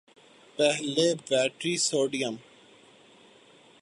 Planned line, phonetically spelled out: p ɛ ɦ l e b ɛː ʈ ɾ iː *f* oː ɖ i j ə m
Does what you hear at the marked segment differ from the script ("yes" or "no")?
yes